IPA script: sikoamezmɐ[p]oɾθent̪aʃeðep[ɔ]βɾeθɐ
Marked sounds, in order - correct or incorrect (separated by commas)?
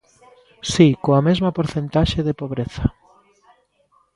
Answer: correct, incorrect